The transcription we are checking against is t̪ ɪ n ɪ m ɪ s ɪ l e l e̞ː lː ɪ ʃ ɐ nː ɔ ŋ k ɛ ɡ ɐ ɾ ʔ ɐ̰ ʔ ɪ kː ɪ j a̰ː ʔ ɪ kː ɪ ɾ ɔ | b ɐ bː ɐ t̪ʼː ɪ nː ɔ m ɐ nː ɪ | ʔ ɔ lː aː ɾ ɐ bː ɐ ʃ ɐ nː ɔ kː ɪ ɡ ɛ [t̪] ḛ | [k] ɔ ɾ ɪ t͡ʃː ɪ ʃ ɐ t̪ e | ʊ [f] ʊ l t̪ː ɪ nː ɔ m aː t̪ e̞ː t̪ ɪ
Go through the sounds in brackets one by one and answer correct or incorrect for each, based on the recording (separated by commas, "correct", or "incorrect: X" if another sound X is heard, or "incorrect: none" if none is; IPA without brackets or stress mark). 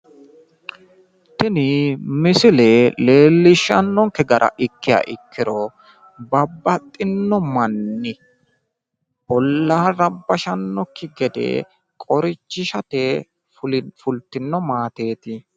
incorrect: d̪, incorrect: kʼ, correct